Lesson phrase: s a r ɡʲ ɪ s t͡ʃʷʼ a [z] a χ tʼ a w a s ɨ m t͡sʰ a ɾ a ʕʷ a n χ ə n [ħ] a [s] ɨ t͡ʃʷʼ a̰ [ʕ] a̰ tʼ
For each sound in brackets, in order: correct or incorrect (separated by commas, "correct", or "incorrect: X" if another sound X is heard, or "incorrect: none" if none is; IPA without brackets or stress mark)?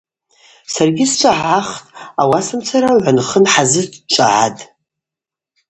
incorrect: ʕ, correct, incorrect: z, correct